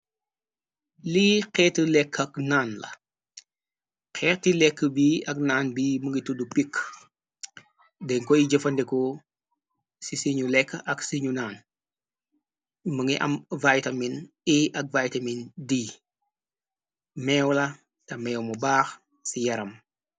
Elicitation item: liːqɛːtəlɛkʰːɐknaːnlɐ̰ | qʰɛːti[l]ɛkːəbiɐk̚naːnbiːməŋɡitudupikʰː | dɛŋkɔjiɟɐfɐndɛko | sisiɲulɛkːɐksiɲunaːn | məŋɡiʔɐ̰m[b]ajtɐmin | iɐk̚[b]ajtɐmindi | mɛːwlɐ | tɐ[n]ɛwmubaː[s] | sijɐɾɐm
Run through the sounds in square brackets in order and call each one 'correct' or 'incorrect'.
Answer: correct, incorrect, incorrect, incorrect, incorrect

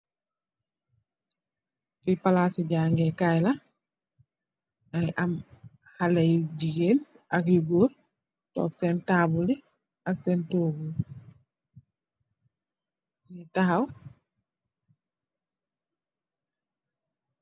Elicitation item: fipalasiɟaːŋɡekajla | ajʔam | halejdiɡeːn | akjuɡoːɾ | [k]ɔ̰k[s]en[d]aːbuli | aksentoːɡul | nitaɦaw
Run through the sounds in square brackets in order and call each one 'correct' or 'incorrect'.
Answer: incorrect, correct, incorrect

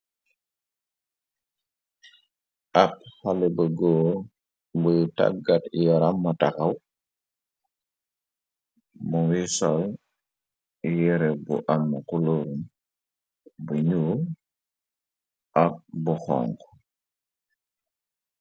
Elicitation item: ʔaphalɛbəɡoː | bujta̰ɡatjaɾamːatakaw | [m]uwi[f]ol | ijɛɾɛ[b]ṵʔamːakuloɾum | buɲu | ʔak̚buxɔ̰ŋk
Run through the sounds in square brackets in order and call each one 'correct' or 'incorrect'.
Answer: correct, incorrect, correct

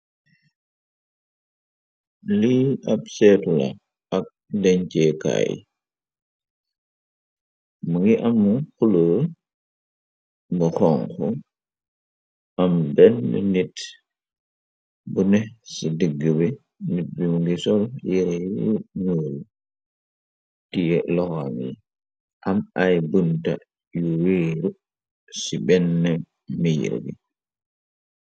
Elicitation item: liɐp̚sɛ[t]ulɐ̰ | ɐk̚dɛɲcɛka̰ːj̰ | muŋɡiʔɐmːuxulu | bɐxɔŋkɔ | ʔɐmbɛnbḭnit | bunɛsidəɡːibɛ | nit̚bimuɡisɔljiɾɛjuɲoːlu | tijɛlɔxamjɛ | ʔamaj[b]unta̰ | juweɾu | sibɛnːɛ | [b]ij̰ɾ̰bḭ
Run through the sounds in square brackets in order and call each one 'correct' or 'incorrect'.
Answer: correct, correct, incorrect

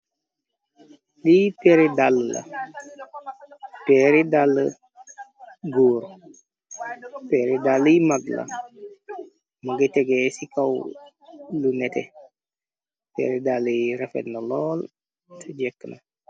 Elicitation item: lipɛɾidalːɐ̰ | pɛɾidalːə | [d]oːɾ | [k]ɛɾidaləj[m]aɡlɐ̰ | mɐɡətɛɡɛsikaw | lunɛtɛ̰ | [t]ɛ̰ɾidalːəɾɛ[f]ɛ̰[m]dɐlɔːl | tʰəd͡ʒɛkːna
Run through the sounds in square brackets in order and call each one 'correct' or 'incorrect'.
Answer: incorrect, incorrect, correct, incorrect, correct, incorrect

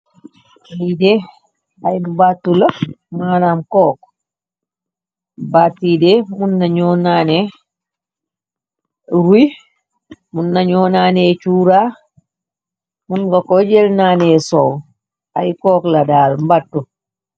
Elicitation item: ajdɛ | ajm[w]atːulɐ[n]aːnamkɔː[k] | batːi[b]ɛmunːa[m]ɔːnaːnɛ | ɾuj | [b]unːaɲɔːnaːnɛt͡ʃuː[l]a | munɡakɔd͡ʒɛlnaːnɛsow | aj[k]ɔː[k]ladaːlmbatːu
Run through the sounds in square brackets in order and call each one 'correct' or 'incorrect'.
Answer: incorrect, incorrect, correct, incorrect, incorrect, incorrect, incorrect, correct, correct

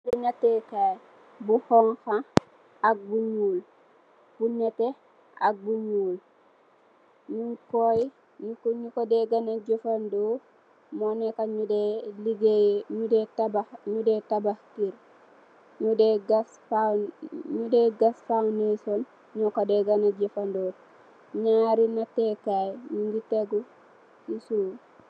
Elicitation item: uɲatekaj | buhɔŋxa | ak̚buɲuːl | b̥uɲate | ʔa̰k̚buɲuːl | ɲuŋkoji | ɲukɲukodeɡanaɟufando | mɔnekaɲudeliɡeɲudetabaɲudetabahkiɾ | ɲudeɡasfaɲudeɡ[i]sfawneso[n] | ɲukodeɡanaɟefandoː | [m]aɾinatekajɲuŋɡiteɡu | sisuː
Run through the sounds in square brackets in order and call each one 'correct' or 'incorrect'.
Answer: incorrect, correct, incorrect

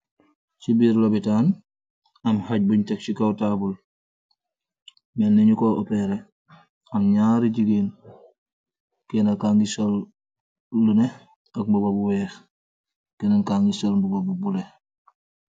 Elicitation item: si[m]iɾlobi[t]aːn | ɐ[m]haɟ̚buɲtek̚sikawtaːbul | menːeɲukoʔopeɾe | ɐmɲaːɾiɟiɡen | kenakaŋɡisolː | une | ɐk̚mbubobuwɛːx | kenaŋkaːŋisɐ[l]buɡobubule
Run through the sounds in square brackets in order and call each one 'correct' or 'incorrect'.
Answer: incorrect, correct, correct, correct

